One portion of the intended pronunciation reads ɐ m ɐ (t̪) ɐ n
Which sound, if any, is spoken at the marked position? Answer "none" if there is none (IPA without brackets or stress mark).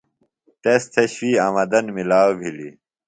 d̪